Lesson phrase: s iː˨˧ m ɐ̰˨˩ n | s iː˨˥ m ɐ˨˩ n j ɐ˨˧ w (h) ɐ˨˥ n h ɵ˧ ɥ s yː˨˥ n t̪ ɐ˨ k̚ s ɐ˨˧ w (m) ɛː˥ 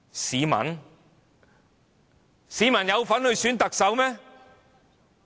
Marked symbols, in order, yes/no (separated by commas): no, yes